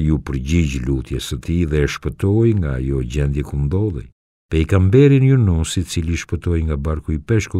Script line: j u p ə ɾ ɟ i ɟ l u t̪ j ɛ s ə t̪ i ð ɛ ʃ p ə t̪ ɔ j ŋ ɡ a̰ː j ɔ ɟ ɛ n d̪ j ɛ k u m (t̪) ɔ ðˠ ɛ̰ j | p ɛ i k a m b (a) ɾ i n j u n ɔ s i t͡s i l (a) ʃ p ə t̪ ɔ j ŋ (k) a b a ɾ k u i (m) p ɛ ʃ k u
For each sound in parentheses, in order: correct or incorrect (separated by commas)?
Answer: incorrect, incorrect, incorrect, incorrect, incorrect